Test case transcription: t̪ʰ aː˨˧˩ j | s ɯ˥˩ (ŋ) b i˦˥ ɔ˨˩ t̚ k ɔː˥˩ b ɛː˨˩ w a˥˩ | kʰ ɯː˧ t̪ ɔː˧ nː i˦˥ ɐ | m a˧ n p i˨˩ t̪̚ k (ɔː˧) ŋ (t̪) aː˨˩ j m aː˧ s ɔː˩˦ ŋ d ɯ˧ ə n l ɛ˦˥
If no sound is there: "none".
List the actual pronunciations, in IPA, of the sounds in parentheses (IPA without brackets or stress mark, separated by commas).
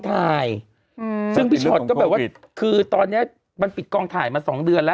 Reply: ŋ, ɔː˧, t̪ʰ